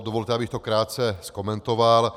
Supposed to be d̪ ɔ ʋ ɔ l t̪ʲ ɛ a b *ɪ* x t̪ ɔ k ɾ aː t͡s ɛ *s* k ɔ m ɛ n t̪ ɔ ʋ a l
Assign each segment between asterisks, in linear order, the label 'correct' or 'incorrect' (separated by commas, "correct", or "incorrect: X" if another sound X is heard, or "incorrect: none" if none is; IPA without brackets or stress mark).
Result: incorrect: i, correct